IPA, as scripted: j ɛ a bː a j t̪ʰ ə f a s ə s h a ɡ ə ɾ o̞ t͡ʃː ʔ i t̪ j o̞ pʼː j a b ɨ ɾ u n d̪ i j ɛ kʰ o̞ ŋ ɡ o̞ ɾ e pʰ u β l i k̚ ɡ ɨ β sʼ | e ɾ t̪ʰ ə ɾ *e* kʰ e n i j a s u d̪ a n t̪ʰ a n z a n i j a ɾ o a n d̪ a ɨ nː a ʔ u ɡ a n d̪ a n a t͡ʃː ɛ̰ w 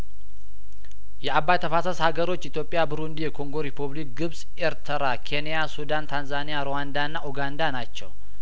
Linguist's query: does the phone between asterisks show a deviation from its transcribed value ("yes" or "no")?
yes